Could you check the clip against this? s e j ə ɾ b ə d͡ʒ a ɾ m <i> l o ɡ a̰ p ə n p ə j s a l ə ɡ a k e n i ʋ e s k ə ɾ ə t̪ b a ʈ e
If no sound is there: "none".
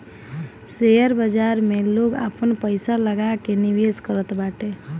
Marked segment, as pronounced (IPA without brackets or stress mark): e